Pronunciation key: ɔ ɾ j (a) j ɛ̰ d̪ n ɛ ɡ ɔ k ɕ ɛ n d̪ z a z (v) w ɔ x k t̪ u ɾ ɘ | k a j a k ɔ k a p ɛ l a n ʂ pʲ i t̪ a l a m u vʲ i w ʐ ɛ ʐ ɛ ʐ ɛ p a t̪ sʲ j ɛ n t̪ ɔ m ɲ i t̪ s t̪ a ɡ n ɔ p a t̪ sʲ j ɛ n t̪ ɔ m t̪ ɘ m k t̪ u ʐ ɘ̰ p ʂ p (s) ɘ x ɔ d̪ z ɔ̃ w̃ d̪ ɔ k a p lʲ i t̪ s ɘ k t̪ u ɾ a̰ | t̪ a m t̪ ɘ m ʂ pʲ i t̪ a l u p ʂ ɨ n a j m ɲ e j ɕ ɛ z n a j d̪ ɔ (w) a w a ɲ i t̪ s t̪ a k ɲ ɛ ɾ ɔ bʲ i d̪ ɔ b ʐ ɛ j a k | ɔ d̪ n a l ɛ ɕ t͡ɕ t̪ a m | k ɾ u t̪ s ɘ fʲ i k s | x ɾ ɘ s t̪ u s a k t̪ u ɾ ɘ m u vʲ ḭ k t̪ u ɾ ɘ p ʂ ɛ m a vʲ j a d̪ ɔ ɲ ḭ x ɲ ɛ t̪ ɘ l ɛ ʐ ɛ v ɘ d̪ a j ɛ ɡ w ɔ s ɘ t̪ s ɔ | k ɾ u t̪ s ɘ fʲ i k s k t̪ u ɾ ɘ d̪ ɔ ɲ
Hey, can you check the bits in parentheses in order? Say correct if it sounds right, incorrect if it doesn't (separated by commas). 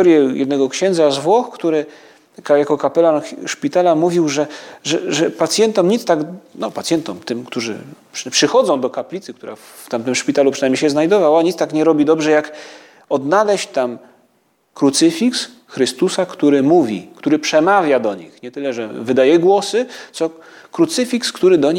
incorrect, correct, incorrect, incorrect